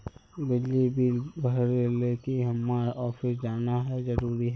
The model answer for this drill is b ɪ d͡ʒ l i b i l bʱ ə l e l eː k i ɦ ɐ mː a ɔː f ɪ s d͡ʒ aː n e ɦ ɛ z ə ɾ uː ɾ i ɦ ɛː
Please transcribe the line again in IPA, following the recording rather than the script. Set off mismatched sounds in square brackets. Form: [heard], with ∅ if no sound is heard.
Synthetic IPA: b ɪ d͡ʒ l i b i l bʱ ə [ɾ] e l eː k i ɦ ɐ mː a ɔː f ɪ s d͡ʒ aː n [a] ɦ ɛ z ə ɾ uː ɾ i ɦ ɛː